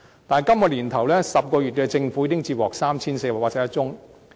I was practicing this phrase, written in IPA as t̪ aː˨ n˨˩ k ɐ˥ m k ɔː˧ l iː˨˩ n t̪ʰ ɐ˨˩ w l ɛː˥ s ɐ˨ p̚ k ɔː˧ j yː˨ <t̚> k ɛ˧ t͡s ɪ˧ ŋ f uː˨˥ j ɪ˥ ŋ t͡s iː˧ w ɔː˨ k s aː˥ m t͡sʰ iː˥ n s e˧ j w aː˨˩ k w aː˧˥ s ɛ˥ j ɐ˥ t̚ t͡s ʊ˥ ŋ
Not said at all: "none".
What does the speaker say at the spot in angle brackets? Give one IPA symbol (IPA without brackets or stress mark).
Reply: t̚